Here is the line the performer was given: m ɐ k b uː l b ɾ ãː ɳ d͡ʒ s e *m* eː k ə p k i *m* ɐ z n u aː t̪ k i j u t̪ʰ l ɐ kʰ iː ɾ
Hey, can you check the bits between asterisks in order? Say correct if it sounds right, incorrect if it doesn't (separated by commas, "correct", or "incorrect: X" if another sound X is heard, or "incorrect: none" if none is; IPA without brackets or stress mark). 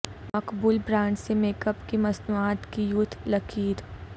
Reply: correct, correct